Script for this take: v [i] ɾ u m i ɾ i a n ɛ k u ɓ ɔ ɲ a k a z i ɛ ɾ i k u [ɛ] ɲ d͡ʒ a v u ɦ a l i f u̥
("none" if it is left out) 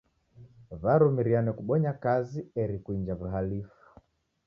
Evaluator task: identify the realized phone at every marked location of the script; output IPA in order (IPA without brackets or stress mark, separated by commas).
a, i